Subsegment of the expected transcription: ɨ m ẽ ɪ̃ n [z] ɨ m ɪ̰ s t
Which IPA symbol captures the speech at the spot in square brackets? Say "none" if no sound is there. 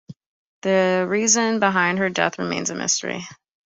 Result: z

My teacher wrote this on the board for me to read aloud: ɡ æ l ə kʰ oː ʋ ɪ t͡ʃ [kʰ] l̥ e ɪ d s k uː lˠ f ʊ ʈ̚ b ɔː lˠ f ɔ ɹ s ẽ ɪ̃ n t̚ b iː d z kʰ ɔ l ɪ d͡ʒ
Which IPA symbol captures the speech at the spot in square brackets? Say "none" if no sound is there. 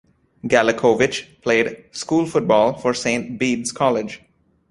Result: pʰ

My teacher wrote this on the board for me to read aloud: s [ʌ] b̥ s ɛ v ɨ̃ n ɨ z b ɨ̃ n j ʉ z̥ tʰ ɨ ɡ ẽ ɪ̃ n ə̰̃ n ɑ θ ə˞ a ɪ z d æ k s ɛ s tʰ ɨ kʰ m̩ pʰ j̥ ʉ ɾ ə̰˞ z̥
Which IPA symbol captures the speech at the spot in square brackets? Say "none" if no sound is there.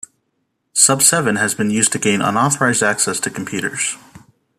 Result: ʌ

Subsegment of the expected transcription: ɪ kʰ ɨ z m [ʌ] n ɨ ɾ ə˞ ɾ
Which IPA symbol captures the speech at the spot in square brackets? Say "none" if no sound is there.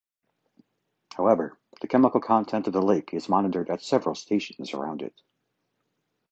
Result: ɑ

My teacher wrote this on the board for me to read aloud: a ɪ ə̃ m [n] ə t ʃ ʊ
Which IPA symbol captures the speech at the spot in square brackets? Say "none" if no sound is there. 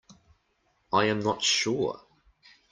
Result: n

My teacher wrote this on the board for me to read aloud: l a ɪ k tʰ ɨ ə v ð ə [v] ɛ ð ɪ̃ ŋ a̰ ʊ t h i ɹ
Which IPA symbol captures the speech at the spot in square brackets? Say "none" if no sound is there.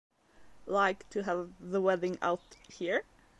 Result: w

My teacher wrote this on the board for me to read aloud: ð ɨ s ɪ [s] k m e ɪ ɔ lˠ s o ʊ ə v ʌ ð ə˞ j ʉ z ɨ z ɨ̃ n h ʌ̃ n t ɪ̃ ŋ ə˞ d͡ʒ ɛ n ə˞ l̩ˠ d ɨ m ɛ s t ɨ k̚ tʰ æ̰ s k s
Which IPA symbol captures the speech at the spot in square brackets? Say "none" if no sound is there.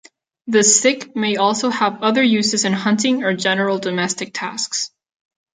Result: none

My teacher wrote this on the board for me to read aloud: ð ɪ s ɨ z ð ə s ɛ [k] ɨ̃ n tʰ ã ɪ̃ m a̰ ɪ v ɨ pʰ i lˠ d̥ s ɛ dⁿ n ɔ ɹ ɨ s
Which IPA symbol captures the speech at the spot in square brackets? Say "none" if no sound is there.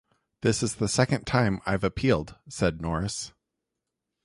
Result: k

